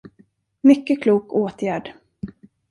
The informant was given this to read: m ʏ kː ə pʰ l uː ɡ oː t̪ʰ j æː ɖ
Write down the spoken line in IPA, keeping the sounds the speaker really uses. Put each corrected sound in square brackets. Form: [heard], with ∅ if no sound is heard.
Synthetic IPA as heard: m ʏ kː ə [kʰ] l uː [k] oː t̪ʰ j æː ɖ